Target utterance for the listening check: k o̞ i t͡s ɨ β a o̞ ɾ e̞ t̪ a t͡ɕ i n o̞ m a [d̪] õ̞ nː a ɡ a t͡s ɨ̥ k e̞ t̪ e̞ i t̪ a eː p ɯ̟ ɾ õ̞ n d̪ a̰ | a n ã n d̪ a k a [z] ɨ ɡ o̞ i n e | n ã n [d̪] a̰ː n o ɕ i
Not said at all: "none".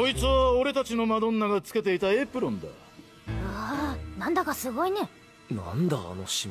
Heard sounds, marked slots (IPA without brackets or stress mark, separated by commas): d̪, s, d̪